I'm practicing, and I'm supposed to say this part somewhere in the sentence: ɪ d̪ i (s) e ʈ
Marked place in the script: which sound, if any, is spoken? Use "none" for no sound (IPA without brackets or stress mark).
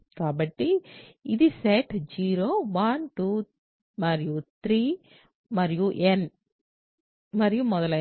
s